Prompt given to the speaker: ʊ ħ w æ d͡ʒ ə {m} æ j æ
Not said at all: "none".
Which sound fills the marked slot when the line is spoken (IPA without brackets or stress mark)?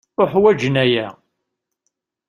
n